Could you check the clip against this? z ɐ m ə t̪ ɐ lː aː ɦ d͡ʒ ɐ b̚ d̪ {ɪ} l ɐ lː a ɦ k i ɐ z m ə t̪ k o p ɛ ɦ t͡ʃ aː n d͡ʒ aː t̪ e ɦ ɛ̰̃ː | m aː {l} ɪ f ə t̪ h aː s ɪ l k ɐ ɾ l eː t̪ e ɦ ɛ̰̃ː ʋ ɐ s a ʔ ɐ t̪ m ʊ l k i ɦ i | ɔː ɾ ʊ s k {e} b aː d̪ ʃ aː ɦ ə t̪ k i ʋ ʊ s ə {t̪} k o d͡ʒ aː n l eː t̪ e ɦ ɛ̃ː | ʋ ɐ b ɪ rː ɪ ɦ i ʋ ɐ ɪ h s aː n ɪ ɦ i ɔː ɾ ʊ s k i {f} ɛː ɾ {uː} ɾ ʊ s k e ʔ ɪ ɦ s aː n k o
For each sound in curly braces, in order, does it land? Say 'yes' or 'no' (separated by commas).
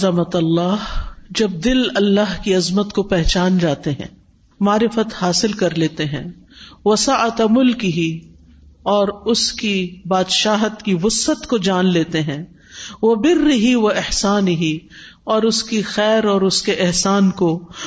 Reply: yes, no, no, yes, no, no